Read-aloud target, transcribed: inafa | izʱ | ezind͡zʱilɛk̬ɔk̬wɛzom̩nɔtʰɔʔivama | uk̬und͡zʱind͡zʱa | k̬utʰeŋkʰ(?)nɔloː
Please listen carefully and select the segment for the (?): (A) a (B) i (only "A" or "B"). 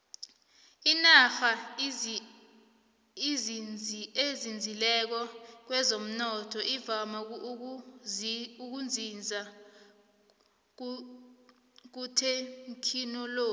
B